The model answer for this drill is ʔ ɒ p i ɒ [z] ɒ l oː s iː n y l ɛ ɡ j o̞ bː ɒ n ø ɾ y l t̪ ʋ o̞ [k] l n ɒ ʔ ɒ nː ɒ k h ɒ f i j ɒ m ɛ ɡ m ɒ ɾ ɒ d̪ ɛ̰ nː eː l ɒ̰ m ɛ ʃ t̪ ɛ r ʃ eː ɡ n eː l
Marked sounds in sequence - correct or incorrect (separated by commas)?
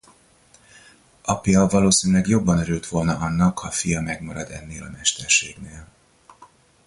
incorrect, incorrect